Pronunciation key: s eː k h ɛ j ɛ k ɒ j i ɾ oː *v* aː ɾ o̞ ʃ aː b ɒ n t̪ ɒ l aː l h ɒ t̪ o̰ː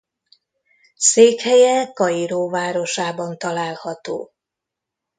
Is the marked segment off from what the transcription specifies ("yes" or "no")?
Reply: no